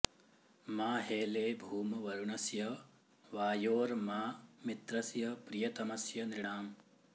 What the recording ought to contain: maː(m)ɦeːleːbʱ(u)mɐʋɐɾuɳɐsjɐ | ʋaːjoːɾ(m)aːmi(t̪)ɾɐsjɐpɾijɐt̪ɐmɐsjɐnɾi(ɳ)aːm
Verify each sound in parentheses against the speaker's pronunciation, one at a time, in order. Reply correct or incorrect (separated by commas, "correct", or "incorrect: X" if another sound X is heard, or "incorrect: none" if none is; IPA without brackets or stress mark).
incorrect: none, incorrect: uː, correct, correct, correct